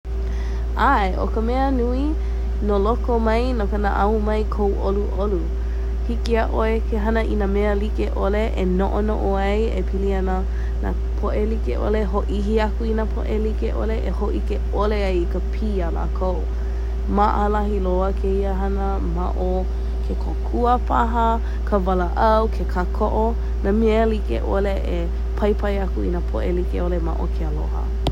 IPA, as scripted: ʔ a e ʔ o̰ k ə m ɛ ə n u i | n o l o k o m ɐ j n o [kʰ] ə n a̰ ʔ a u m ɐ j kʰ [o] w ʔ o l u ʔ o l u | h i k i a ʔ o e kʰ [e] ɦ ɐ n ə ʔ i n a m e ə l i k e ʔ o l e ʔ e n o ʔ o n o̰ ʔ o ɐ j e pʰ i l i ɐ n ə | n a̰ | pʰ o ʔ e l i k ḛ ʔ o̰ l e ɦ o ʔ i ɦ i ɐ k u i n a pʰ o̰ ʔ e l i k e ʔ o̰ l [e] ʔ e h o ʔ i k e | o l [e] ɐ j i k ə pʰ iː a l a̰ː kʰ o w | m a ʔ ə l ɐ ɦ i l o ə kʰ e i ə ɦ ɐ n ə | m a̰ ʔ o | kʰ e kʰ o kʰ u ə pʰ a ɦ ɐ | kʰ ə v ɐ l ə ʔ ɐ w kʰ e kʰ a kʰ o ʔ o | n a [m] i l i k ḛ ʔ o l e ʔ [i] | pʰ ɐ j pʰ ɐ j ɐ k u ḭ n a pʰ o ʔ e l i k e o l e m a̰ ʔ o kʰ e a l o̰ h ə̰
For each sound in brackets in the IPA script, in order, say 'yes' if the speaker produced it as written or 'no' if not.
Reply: no, yes, yes, yes, yes, yes, no

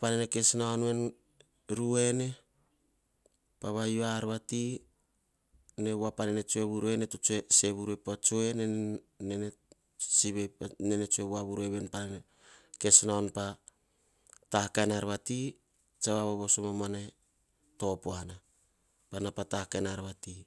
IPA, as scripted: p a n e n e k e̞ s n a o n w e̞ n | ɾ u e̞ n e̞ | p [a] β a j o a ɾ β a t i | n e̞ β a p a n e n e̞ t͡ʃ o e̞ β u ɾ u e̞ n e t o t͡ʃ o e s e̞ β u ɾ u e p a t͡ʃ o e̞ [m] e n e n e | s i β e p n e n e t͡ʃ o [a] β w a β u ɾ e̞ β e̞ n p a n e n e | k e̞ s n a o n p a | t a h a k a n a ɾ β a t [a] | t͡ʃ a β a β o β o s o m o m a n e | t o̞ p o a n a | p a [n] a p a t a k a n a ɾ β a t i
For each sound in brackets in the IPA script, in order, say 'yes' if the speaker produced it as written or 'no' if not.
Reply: yes, no, no, no, yes

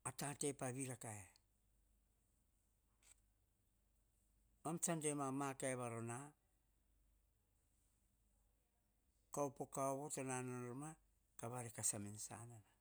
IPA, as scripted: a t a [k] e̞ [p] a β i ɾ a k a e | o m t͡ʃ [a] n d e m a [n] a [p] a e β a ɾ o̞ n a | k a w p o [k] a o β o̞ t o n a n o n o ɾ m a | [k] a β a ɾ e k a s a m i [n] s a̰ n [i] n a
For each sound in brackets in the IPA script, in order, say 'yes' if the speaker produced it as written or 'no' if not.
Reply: no, yes, yes, no, no, yes, yes, yes, no

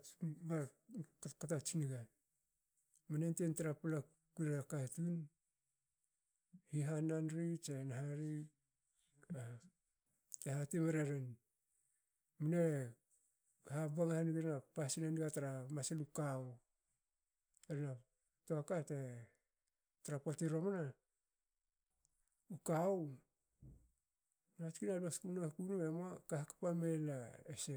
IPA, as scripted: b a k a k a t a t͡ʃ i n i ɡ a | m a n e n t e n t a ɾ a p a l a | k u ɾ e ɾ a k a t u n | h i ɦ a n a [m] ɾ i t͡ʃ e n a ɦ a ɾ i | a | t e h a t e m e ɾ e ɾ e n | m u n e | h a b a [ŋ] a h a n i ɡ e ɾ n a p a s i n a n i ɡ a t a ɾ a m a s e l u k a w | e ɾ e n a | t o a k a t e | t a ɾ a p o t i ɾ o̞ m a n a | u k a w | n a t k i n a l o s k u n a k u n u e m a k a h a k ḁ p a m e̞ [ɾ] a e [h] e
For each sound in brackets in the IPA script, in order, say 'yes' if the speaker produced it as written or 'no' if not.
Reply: no, yes, no, no

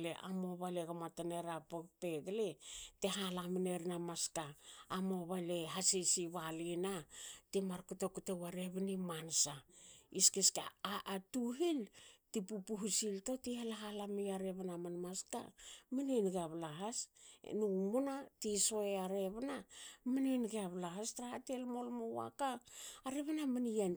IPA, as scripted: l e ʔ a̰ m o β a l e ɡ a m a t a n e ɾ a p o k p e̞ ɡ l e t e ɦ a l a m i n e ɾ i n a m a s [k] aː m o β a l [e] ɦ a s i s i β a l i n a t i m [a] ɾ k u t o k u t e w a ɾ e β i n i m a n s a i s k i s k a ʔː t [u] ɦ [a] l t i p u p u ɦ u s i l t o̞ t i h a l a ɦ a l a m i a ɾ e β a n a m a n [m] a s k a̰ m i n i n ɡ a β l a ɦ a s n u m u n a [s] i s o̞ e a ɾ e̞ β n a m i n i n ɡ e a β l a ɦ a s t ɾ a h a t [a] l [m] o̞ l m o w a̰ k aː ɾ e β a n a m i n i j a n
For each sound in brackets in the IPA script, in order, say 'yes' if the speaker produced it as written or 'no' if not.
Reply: yes, yes, yes, yes, no, yes, no, no, yes

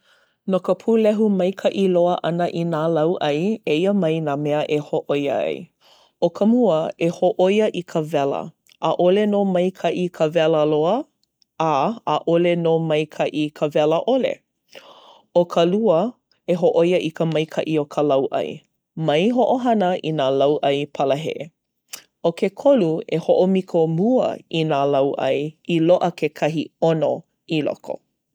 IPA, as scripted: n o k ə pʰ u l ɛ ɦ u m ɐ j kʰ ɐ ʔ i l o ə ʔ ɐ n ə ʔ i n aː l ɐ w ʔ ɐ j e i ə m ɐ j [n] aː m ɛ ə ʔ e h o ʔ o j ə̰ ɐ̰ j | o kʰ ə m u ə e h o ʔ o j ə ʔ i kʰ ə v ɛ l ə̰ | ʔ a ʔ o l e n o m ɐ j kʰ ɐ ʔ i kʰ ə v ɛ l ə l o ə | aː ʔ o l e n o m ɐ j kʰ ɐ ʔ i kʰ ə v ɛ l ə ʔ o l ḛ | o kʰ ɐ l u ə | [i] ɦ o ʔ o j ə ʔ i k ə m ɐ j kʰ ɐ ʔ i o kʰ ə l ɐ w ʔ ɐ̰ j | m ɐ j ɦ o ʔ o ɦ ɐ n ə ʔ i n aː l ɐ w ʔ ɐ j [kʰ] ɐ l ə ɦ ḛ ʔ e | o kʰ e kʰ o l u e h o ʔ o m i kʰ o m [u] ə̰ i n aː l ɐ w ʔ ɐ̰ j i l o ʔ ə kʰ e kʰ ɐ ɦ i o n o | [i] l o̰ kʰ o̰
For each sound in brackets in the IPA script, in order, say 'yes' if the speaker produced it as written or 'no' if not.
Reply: yes, no, no, yes, yes

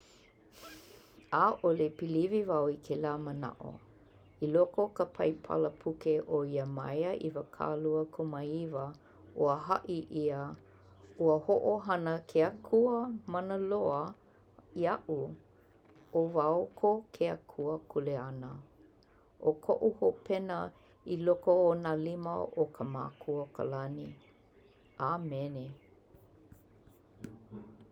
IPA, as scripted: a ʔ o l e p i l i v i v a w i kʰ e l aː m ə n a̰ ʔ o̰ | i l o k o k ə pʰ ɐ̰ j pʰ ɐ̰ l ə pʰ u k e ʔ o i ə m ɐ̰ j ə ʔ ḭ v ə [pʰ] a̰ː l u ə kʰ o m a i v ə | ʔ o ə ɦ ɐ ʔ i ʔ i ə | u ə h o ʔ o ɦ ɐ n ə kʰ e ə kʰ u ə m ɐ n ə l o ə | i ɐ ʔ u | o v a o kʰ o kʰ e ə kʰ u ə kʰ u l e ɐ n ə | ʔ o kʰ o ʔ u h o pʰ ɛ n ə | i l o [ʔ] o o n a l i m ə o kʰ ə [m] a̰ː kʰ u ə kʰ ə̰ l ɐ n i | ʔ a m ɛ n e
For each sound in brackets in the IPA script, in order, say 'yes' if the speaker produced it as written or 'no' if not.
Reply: no, no, yes

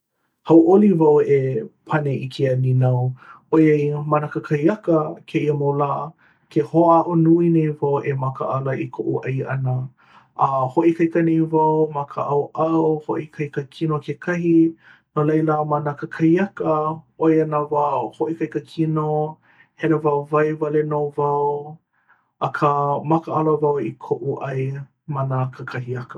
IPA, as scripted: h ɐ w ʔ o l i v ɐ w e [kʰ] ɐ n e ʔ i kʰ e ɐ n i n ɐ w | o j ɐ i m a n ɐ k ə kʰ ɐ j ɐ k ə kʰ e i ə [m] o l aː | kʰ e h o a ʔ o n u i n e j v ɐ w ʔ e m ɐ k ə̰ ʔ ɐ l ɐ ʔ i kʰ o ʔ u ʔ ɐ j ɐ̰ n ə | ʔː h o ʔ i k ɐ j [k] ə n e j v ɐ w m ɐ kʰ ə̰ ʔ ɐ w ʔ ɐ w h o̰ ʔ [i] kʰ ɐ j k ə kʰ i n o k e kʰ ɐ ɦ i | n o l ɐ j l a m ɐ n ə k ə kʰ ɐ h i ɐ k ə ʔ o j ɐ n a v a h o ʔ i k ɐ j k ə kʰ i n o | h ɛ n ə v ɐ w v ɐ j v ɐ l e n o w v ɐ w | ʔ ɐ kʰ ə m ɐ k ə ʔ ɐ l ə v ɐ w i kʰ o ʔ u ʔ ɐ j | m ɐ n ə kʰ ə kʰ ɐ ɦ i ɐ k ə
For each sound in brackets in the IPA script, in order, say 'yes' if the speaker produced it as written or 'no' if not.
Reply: no, yes, yes, yes

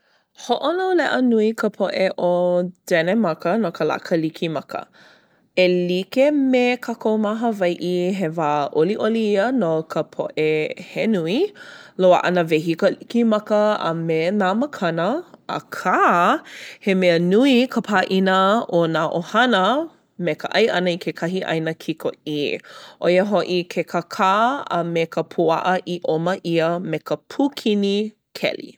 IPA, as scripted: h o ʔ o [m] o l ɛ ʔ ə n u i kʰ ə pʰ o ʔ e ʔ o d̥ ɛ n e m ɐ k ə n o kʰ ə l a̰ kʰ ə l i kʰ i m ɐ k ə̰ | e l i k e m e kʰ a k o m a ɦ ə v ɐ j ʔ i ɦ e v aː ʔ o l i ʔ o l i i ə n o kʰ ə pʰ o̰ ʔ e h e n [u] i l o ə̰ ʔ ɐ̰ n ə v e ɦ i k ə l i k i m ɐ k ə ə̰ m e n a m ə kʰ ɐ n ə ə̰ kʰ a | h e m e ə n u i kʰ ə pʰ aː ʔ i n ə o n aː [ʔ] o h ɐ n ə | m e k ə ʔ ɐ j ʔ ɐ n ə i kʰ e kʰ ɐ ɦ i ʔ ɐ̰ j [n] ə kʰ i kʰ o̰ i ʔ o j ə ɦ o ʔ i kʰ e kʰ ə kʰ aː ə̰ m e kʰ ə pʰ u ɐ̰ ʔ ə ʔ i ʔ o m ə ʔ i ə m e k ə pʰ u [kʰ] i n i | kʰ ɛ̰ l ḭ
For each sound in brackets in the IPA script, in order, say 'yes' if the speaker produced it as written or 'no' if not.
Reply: no, yes, yes, yes, yes

